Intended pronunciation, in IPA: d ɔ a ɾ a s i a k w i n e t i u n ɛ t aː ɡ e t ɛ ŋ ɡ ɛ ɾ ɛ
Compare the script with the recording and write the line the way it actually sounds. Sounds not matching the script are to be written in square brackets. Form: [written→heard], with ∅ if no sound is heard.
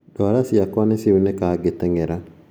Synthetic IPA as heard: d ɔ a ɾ a s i a k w [i→a] n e [t→s] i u n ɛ [t→k] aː ɡ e t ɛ ŋ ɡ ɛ ɾ [ɛ→a]